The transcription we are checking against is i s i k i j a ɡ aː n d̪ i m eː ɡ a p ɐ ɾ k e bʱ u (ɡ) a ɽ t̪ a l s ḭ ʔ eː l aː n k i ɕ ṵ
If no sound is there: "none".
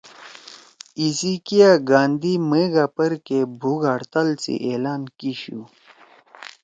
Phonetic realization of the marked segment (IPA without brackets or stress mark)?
ɡ